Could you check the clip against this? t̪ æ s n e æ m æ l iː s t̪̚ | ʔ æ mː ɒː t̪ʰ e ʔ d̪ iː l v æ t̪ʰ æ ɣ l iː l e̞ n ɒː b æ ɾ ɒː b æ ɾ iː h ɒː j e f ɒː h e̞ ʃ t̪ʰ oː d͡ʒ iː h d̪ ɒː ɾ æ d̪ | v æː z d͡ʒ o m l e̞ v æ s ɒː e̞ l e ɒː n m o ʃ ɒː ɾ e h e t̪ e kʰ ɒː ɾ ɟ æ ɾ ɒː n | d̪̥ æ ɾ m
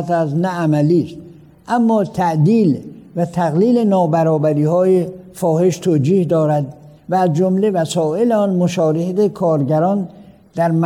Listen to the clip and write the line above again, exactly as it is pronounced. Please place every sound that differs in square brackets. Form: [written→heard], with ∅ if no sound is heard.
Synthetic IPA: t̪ æ s n [e→æ] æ m æ l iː s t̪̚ | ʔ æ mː ɒː t̪ʰ [e→æ] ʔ d̪ iː l v æ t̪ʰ æ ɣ l iː l e̞ n ɒː b æ ɾ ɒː b æ ɾ iː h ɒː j e f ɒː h e̞ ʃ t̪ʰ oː d͡ʒ iː h d̪ ɒː ɾ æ d̪ | v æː z d͡ʒ o m l e̞ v æ s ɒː e̞ l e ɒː n m o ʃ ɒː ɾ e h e t̪ e kʰ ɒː ɾ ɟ æ ɾ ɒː n | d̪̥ æ ɾ m